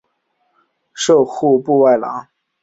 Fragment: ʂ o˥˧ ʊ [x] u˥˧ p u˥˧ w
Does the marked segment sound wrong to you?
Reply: no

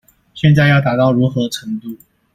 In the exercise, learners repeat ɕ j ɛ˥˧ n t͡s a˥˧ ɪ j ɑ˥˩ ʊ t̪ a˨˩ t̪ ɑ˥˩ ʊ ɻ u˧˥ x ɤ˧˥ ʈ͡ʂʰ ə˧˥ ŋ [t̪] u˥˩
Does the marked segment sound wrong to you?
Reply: no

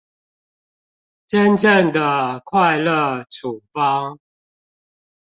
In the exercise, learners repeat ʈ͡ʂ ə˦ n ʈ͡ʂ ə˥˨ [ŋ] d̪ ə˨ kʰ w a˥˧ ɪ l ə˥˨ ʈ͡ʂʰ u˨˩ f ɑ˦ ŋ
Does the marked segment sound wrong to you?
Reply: no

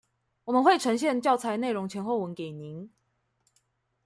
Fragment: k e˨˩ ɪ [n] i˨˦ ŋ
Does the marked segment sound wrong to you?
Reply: no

